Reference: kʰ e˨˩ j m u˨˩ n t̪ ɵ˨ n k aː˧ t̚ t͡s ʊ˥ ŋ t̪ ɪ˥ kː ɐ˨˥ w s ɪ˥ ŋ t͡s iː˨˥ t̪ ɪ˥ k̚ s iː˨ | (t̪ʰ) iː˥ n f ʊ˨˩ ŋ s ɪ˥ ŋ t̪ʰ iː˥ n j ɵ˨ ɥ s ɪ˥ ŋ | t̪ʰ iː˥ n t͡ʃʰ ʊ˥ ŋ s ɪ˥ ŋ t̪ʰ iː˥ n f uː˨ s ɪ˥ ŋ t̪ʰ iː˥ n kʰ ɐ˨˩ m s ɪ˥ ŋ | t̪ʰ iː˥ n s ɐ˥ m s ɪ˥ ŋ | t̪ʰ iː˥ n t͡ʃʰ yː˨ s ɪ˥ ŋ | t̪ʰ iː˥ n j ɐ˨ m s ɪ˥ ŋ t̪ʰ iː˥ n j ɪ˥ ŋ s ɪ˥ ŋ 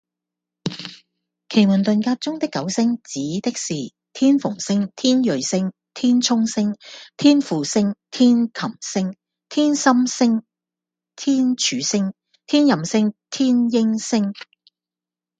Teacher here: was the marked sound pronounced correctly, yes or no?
yes